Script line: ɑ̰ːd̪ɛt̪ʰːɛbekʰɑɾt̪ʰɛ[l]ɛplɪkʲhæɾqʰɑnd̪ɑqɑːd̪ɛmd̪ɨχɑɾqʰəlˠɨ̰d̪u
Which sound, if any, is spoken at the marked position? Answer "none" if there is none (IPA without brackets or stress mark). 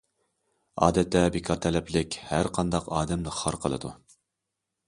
l